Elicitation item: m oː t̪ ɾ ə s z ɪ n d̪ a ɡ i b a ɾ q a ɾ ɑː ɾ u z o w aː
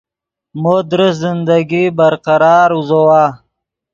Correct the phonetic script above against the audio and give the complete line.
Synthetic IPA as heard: m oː d̪ ɾ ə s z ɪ n d̪ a ɡ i b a ɾ q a ɾ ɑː ɾ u z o w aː